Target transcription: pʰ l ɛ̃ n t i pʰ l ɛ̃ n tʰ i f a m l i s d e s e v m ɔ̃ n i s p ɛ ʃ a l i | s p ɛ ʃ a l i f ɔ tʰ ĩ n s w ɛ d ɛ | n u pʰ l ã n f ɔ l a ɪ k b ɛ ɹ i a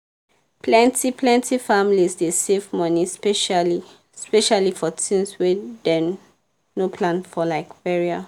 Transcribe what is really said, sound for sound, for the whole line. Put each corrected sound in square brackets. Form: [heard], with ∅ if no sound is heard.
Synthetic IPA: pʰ l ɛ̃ n t i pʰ l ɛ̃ n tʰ i f a m l i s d e s e v m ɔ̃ n i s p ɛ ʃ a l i | s p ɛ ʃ a l i f ɔ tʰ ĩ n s w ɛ d ɛ | n [o] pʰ l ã n f ɔ l a ɪ k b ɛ ɹ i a